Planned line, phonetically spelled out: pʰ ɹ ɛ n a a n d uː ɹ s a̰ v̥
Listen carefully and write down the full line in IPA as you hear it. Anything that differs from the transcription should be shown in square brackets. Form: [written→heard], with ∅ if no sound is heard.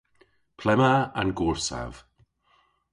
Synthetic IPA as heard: pʰ [ɹ→l] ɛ [n→m] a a n [d→ɡ] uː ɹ s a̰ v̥